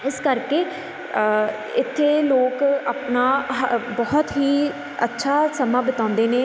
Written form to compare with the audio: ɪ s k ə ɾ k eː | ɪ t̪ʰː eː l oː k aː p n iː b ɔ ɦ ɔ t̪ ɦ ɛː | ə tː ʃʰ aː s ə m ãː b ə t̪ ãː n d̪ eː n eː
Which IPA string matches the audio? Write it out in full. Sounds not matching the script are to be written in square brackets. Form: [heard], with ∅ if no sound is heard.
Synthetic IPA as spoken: ɪ s k ə ɾ k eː | ɪ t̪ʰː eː l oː k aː p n [aː] b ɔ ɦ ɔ t̪ ɦ [iː] | ə tː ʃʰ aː s ə m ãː b ə t̪ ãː n d̪ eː n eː